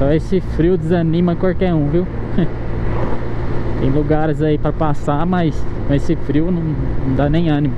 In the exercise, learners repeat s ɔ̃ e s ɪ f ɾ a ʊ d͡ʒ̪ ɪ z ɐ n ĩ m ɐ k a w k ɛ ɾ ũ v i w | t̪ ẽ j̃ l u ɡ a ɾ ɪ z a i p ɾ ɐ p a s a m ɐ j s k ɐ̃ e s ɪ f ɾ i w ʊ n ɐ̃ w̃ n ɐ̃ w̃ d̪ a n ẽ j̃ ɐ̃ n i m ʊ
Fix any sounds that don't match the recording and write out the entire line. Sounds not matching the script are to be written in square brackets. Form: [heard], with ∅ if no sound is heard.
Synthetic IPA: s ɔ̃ e s ɪ f ɾ [i] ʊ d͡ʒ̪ ɪ z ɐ n ĩ m ɐ k a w k ɛ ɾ ũ v i w | t̪ ẽ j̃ l u ɡ a ɾ ɪ z a i p ɾ ɐ p a s a m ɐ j s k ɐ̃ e s ɪ f ɾ i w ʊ n ɐ̃ w̃ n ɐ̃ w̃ d̪ a n ẽ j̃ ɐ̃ n i m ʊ